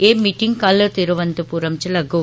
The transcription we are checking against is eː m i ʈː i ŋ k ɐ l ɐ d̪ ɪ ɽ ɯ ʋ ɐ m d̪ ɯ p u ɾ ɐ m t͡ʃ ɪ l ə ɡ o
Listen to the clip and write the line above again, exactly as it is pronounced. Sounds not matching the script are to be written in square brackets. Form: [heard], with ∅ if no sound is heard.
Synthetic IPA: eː m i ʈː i ŋ k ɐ l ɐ [t̪] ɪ [ɾ] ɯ ʋ ɐ [n] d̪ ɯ p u ɾ ɐ m t͡ʃ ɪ l [ɐ] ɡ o